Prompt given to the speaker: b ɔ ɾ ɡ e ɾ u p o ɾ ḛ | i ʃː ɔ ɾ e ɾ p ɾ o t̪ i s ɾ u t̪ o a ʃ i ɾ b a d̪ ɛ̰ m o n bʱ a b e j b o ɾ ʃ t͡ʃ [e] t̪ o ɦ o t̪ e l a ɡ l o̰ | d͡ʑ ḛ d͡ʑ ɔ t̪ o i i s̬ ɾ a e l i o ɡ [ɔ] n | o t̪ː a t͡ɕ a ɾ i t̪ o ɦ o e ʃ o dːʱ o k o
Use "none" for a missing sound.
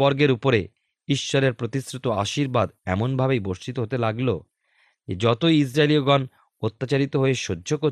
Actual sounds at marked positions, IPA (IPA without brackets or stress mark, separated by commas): i, ɔ